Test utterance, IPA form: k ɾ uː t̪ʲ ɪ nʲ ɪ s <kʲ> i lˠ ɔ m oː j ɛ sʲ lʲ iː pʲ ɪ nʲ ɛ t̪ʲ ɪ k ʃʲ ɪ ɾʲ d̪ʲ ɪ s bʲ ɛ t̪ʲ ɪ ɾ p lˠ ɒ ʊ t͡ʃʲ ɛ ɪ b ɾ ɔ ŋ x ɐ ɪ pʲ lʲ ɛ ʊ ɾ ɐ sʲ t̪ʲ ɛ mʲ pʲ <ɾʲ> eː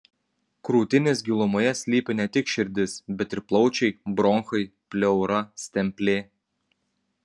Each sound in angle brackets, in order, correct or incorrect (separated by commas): incorrect, incorrect